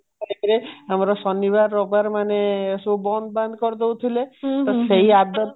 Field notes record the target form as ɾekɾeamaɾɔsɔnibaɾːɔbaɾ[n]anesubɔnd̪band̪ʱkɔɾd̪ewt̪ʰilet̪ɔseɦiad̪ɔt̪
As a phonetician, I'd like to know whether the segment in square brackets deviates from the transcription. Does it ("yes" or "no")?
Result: yes